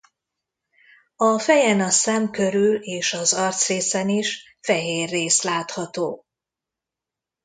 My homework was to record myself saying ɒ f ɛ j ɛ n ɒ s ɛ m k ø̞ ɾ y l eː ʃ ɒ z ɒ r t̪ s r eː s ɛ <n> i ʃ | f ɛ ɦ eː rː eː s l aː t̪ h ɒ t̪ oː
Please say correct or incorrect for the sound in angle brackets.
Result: correct